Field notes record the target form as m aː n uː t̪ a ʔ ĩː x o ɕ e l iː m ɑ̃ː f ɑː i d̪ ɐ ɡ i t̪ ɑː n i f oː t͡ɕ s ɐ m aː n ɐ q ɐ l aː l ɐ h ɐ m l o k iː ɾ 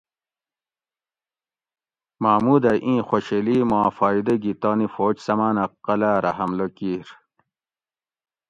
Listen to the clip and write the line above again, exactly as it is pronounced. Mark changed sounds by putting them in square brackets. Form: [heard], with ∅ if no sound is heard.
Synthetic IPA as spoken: m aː [m] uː [d̪] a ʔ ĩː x o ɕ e l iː m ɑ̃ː f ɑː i d̪ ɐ ɡ i t̪ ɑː n i f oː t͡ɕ s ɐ m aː n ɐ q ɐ l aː [ɾ] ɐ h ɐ m l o k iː ɾ